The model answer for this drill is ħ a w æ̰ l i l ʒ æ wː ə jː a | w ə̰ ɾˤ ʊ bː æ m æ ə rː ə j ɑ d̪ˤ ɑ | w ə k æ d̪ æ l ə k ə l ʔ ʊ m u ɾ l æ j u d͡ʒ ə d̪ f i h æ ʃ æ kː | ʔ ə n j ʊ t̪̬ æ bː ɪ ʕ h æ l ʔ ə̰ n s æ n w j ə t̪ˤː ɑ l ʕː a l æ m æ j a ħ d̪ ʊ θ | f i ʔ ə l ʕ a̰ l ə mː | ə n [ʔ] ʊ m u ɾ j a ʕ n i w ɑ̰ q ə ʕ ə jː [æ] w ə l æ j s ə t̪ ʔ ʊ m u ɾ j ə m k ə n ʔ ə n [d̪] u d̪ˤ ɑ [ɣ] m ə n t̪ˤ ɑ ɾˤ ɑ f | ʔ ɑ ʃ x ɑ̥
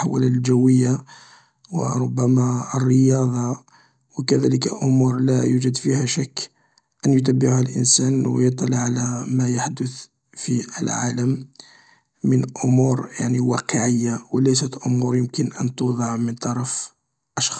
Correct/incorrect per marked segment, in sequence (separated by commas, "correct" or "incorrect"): correct, incorrect, incorrect, incorrect